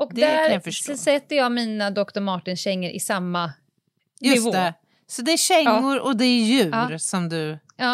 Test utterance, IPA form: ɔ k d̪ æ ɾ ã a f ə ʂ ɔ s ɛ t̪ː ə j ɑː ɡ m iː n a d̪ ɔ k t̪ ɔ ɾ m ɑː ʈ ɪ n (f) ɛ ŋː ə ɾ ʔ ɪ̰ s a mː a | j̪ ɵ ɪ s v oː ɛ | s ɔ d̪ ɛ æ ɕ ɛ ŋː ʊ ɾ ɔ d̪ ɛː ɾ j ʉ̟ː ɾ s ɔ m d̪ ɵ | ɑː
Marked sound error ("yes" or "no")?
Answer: yes